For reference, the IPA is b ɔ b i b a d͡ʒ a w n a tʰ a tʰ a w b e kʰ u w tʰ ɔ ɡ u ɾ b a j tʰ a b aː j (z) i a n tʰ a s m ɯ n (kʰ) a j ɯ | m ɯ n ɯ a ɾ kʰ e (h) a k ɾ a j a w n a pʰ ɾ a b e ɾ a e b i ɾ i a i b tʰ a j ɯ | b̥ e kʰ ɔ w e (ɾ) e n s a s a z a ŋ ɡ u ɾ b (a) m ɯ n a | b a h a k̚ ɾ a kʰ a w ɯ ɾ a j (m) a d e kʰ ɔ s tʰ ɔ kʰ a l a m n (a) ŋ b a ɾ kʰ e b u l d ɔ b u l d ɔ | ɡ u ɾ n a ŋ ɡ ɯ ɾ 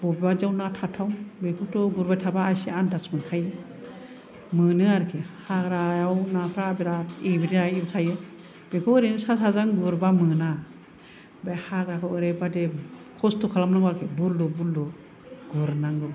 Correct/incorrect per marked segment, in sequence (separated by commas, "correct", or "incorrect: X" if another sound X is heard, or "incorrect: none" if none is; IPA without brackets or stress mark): incorrect: s, correct, correct, correct, correct, incorrect: b, correct